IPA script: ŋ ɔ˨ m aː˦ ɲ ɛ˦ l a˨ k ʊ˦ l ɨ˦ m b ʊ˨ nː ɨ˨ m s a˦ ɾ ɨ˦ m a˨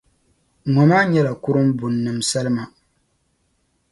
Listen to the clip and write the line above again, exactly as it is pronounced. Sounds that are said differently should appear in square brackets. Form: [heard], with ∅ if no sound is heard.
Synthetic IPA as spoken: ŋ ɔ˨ m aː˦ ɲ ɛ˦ l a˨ k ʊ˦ [ɾ] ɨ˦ m b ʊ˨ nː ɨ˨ m s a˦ [l] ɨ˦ m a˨